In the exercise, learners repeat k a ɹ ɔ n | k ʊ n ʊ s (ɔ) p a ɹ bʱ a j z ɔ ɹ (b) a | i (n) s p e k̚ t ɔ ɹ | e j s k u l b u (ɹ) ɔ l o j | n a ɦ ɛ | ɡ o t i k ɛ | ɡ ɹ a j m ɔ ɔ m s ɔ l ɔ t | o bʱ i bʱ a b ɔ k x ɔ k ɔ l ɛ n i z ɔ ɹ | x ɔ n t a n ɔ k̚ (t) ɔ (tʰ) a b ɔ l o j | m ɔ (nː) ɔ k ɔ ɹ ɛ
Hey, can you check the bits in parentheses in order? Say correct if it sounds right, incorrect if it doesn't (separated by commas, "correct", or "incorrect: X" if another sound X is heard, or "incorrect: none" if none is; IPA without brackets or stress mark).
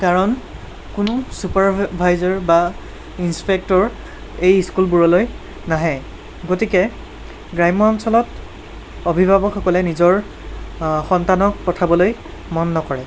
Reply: incorrect: u, correct, correct, correct, incorrect: p, correct, correct